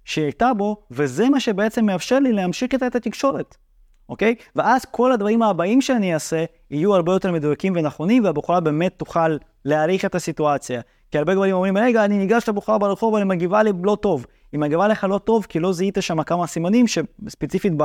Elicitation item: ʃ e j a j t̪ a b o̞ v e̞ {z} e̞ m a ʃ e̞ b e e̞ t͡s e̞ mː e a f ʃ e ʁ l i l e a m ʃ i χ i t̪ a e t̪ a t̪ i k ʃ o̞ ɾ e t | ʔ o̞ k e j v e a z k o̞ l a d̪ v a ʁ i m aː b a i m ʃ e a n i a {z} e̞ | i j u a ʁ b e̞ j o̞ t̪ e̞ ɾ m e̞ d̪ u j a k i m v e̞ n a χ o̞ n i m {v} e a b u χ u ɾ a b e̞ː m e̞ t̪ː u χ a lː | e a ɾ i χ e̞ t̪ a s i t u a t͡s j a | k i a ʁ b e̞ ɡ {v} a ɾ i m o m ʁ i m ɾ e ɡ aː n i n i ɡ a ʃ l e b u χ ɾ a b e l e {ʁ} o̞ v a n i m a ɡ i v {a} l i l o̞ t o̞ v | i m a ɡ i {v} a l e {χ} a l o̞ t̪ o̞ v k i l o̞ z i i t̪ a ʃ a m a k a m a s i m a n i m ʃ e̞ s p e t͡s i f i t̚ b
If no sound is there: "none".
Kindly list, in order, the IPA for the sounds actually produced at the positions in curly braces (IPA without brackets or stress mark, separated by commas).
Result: z, s, v, v, χ, a, v, χ